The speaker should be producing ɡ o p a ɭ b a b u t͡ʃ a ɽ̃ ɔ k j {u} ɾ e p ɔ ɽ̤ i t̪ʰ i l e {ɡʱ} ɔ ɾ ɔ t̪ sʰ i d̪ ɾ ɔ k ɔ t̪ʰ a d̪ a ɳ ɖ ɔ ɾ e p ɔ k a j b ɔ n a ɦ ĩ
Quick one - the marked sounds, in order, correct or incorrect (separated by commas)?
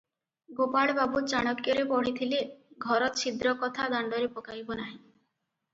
incorrect, correct